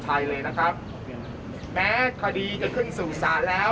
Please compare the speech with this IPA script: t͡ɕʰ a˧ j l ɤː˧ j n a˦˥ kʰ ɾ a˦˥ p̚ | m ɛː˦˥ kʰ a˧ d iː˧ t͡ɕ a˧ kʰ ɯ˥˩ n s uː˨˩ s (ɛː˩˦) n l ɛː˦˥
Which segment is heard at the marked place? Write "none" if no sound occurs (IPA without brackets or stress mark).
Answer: aː˩˦